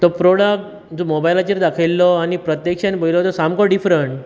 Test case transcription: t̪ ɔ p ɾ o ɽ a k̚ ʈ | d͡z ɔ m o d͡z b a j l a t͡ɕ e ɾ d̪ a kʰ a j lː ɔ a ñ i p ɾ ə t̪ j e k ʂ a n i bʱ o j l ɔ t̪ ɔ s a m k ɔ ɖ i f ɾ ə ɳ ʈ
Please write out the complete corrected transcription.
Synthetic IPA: t̪ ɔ p ɾ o ɽ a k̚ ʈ | d͡z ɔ m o b a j l a t͡ɕ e ɾ d̪ a kʰ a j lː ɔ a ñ i p ɾ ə t̪ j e k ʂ a n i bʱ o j l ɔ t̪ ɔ s a m k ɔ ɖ i f ɾ ə ɳ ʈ